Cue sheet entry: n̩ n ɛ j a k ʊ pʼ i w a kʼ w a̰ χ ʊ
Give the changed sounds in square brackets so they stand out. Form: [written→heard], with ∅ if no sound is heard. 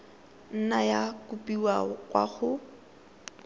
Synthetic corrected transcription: n̩ n [ɛ→a] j a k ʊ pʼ i w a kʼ w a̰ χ ʊ

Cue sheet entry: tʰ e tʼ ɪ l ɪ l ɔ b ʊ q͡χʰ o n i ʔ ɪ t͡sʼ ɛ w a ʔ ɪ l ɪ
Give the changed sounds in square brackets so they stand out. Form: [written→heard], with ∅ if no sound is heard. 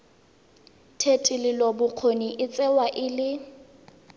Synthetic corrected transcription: tʰ e tʼ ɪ l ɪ l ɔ b ʊ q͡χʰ o n i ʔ ɪ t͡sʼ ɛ w a ʔ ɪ l ɪ

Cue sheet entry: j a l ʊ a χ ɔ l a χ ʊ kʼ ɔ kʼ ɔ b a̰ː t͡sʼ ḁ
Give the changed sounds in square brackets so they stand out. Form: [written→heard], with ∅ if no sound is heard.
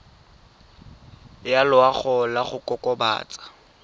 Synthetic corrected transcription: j a l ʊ a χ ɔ l a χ ʊ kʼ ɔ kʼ ɔ b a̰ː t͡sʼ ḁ

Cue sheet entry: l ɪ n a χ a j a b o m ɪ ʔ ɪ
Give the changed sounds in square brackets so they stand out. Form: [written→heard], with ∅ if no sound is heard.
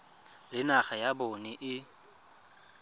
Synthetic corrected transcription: l ɪ n a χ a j a b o [m→n] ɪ ʔ ɪ

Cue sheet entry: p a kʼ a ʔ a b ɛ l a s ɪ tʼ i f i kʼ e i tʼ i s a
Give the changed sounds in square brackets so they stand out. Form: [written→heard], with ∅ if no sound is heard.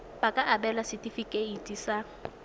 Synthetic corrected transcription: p a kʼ a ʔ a b ɛ l a s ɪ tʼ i f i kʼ e i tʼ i s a

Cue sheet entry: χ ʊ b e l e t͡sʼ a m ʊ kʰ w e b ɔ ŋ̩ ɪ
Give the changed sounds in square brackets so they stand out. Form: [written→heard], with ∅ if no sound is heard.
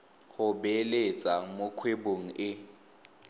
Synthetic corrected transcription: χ ʊ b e l e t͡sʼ a m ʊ kʰ w e b [ɔ→o] ŋ̩ ɪ

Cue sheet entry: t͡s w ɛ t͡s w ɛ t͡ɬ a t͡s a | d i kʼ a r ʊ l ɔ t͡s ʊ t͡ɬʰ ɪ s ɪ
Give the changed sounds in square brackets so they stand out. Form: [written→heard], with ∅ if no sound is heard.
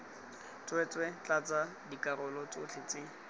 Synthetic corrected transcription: t͡s w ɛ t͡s w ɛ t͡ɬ a t͡s a | d i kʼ a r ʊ l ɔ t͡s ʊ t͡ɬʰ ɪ [s→t͡s] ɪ

